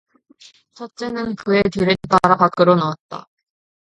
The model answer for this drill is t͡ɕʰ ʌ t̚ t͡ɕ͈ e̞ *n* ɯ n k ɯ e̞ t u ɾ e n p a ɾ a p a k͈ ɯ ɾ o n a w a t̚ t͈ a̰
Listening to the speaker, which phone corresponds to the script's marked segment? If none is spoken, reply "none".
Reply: n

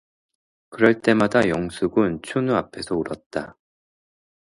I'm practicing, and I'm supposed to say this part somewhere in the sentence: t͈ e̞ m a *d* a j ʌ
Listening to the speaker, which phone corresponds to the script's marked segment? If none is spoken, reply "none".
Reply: d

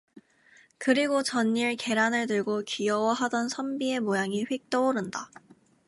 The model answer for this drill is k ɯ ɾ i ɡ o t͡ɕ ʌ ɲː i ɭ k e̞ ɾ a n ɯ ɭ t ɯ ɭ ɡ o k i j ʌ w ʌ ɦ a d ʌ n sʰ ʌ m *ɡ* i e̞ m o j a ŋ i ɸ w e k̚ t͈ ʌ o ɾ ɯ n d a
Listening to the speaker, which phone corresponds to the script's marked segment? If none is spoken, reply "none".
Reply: b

